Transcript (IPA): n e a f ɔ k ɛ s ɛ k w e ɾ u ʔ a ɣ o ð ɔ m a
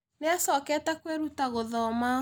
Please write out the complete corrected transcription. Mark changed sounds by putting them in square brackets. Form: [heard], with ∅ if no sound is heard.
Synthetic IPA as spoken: n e a [s] ɔ k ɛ [t] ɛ k w e ɾ u [t] a ɣ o ð ɔ m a